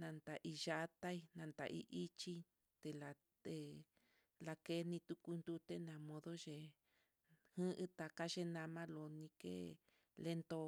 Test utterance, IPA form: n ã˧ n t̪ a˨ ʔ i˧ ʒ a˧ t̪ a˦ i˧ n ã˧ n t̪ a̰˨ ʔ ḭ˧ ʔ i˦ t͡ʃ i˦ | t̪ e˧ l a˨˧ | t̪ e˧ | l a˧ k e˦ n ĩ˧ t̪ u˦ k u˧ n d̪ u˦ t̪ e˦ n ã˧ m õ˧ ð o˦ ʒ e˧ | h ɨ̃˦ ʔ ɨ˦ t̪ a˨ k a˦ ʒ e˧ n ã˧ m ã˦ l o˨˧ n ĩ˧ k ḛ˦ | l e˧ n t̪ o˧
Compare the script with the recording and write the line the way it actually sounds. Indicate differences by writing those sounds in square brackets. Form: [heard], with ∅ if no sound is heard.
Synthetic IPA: n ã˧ n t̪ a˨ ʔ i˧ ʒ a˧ t̪ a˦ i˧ n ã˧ n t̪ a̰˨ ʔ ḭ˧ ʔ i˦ t͡ʃ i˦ | t̪ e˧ l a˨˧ | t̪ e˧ | l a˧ k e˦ n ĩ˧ t̪ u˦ k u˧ n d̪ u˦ t̪ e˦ n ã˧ m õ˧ ð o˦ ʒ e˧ | h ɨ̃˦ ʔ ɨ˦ t̪ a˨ k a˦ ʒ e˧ n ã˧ m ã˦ l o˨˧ n ĩ˧ k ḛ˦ | l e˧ n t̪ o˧